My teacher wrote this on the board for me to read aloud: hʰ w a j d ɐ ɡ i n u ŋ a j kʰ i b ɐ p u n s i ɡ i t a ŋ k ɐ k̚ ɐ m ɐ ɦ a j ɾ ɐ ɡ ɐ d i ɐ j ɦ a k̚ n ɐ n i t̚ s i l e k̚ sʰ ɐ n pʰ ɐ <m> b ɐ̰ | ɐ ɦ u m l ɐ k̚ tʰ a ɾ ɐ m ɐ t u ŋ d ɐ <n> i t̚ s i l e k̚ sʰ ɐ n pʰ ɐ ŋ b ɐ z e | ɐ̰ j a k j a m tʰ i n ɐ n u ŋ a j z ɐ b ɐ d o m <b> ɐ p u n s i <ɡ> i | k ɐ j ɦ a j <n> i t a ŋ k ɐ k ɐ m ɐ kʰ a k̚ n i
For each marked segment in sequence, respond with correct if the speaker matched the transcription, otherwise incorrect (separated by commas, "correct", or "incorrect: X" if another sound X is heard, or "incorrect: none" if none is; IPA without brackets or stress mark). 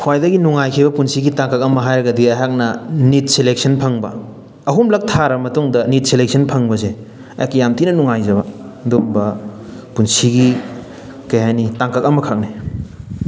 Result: incorrect: ŋ, correct, correct, correct, correct